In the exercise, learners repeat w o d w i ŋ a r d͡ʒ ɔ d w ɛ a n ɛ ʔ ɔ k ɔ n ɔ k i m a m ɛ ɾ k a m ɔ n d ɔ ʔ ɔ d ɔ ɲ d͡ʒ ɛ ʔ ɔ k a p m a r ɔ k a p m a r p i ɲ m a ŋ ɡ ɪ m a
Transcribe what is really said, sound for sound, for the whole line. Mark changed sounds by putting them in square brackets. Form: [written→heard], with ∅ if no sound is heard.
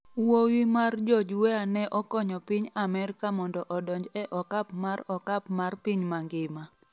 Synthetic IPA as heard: w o [d→∅] w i [ŋ→m] a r d͡ʒ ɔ [d→d͡ʒ] w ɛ a n ɛ ʔ ɔ k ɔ [n→ɲ] ɔ [k→p] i [m→ɲ] a m ɛ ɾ k a m ɔ n d ɔ ʔ ɔ d ɔ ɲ d͡ʒ ɛ ʔ ɔ k a p m a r ɔ k a p m a r p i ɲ m a ŋ ɡ ɪ m a